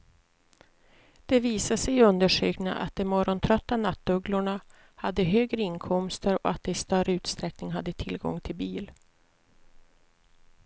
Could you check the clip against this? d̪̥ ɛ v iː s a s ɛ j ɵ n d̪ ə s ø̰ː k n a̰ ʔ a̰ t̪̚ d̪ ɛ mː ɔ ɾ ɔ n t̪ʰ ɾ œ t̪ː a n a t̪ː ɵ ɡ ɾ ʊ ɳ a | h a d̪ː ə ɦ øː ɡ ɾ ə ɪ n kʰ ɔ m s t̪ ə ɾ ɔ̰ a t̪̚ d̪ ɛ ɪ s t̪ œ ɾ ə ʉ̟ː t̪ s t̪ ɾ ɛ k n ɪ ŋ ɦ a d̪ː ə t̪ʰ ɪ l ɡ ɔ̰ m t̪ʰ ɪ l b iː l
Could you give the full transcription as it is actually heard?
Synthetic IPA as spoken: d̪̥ ɛ v iː s a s ɛ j ɵ n d̪ ə ʂ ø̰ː k n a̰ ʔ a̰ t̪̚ d̪ ɛ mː ɔ ɾ ɔ n t̪ʰ ɾ œ t̪ː a n a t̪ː ɵ ɡ l ʊ ɳ a | h a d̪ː ə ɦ øː ɡ ɾ ə ɪ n kʰ ɔ m s t̪ ə ɾ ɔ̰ a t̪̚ d̪ ɛ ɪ s t̪ œ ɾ ə ʉ̟ː t̪ s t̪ ɾ ɛ k n ɪ ŋ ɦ a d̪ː ə t̪ʰ ɪ l ɡ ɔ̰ ŋ t̪ʰ ɪ l b iː l